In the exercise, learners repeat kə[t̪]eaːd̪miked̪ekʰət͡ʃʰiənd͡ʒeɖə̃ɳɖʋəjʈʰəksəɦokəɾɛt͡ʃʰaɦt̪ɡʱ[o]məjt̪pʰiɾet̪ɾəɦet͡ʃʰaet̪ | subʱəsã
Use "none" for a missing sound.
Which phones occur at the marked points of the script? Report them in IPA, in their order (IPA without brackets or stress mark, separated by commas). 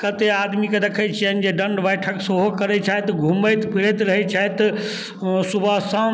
t̪, u